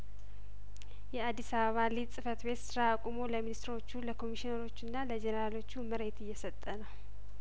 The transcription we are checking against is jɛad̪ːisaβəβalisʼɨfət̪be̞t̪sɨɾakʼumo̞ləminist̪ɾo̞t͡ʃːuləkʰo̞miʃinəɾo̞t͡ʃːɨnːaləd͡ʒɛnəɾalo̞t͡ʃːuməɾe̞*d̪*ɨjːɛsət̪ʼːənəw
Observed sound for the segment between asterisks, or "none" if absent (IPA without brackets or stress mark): t̪